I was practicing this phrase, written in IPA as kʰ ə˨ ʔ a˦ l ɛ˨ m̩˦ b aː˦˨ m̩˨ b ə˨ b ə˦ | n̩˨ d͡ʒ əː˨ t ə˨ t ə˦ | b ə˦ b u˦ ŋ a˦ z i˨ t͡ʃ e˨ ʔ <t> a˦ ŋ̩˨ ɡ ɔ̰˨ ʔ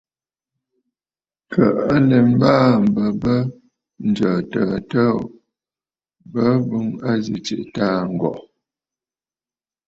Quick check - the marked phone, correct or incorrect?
correct